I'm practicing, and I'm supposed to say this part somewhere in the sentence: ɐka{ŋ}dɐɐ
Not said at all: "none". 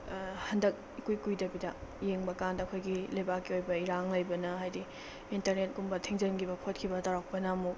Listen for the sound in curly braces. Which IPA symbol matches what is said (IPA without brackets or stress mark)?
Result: n